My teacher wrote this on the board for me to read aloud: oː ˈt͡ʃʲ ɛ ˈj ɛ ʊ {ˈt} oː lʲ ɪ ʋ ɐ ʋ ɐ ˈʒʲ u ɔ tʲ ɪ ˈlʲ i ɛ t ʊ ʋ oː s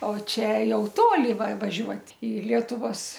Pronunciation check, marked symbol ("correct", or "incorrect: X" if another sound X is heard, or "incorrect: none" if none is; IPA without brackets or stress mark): correct